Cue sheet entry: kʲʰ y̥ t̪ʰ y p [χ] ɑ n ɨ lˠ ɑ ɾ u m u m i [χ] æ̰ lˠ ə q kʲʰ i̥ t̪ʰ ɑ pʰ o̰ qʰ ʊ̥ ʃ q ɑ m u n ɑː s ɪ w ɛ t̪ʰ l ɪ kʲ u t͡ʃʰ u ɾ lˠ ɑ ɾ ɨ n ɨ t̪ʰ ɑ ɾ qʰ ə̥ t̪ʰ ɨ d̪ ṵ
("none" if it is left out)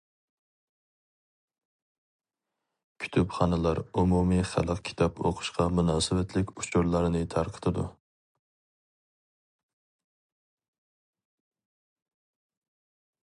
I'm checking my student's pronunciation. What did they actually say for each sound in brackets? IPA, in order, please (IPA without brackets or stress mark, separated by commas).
χ, χ